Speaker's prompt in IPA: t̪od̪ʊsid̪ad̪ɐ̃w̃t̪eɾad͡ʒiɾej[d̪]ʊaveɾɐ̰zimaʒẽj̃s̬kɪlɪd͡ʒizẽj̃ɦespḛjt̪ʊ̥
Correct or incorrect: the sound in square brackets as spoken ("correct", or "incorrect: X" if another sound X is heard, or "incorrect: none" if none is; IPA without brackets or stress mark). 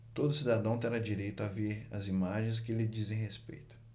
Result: incorrect: t̪